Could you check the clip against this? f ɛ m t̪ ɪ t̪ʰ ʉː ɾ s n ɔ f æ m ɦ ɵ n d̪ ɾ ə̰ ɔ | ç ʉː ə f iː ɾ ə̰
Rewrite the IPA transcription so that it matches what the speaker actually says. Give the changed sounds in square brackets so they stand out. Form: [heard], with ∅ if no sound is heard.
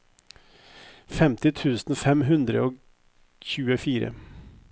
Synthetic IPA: f ɛ m t̪ ɪ t̪ʰ ʉː [∅] s n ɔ f [ɛ] m ɦ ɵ n d̪ ɾ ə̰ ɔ | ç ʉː ə f iː ɾ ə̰